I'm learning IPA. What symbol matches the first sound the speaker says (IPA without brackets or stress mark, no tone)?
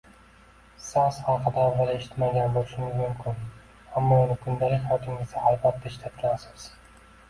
s